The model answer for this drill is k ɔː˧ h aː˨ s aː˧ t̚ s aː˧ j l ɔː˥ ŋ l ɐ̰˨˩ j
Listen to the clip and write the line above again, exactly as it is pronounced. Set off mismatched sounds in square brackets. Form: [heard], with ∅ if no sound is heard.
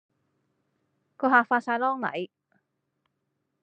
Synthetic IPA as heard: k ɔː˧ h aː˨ [f] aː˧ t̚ s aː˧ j l ɔː˥ ŋ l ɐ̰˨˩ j

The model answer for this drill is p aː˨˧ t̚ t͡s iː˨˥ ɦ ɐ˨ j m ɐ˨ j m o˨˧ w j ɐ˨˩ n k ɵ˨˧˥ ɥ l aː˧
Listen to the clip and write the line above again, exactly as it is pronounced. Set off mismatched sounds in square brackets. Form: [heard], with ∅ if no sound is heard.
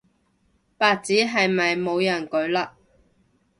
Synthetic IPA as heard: p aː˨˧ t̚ t͡s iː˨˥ ɦ ɐ˨ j m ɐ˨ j m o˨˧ w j ɐ˨˩ n k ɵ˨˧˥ ɥ l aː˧

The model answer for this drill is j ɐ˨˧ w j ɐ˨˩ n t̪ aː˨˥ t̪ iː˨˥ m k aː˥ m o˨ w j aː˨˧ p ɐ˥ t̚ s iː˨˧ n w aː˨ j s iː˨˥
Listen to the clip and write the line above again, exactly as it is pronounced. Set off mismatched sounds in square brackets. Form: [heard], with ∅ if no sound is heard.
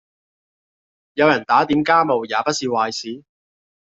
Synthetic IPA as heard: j ɐ˨˧ w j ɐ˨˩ n t̪ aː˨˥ t̪ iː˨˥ m k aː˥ m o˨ w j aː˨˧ p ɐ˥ t̚ s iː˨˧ [∅] w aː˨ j s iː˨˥

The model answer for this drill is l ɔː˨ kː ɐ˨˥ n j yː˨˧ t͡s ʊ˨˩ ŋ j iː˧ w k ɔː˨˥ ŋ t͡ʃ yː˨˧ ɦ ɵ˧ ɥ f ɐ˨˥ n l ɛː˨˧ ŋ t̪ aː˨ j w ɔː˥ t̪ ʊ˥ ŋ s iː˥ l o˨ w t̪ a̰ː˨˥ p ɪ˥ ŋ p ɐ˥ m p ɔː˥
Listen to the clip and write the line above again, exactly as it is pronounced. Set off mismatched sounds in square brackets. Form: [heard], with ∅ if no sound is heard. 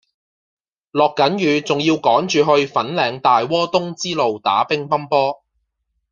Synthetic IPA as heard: l ɔː˨ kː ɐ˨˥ n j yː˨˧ t͡s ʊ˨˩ ŋ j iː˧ w k ɔː˨˥ ŋ t͡ʃ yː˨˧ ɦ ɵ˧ ɥ f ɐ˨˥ n l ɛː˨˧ ŋ t̪ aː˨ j w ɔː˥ t̪ ʊ˥ ŋ [t͡s] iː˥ l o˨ w t̪ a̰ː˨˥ p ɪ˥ ŋ p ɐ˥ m p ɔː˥

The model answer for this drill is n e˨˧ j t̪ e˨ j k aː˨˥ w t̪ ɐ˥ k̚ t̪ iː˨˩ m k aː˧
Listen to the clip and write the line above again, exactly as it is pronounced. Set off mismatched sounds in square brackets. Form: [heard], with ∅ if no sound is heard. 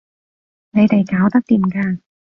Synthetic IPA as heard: n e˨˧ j t̪ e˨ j k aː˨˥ w t̪ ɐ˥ k̚ t̪ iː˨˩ m k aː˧

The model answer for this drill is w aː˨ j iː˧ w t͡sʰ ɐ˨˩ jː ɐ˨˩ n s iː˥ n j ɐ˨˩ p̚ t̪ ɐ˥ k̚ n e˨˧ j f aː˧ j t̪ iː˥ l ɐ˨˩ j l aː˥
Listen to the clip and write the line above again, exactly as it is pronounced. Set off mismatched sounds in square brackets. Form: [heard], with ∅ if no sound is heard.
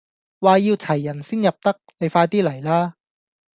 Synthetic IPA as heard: w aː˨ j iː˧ w t͡sʰ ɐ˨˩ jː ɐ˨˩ n s iː˥ n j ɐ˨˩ p̚ t̪ ɐ˥ k̚ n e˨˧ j f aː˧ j t̪ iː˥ l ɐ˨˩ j l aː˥

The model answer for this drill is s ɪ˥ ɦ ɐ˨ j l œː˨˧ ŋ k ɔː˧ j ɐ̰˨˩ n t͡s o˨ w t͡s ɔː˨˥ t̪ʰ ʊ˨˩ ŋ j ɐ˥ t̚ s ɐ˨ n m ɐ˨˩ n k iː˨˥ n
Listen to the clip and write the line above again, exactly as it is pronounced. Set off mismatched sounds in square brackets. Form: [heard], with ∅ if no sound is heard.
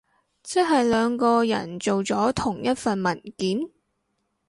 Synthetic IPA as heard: [t͡s] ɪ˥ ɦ ɐ˨ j l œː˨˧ ŋ k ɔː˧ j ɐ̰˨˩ n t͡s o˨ w t͡s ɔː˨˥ t̪ʰ ʊ˨˩ ŋ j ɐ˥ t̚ [f] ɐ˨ n m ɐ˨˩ n k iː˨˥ n

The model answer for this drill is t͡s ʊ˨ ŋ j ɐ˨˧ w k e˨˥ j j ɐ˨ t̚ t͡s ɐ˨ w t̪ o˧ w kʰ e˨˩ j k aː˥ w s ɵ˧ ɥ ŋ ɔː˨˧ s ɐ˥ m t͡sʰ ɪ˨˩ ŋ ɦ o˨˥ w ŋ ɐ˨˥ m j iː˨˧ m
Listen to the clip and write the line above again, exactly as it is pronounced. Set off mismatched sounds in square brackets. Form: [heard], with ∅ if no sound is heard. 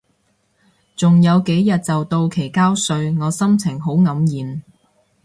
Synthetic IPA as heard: t͡s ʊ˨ ŋ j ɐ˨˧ w k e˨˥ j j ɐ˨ t̚ t͡s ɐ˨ w t̪ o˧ w kʰ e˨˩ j k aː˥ w s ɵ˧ ɥ ŋ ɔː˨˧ s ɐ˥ m t͡sʰ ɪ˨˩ ŋ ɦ o˨˥ w ŋ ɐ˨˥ m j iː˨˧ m

